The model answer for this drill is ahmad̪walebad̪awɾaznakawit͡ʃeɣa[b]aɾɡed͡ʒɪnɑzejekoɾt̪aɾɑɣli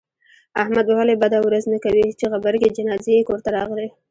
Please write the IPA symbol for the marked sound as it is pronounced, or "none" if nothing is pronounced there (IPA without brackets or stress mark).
b